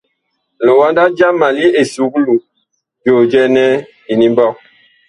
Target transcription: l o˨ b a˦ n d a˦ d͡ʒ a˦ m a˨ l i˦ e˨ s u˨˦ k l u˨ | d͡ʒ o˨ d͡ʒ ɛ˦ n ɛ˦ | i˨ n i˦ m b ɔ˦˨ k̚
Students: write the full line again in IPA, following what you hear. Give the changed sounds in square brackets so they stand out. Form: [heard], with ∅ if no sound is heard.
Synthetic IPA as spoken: l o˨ [w] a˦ n d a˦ d͡ʒ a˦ m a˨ l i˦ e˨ s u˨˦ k l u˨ | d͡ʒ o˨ d͡ʒ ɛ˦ n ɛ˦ | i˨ n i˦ m b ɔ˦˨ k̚